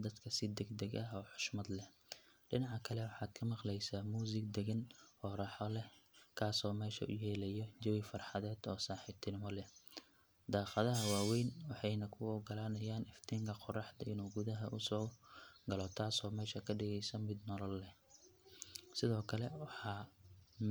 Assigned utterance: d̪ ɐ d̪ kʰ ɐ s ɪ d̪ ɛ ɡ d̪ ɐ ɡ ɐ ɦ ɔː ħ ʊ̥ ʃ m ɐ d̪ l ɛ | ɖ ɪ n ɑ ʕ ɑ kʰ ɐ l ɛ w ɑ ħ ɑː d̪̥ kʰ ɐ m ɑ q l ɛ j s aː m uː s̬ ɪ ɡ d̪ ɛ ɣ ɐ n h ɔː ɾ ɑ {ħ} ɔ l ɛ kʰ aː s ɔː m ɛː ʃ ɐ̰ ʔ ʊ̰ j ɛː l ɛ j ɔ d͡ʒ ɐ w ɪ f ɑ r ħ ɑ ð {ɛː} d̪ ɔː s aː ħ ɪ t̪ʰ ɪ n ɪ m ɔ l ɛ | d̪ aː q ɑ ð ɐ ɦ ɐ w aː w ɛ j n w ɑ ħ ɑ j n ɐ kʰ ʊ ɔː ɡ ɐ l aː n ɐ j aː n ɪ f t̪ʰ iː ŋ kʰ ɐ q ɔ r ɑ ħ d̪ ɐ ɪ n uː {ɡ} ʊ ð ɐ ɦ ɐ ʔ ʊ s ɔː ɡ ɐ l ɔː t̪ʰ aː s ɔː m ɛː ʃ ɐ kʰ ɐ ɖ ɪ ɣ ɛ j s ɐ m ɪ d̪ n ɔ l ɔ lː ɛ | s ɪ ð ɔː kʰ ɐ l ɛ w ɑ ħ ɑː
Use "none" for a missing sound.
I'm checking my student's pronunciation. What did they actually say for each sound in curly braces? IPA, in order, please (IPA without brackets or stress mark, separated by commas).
ħ, ɛː, ɡ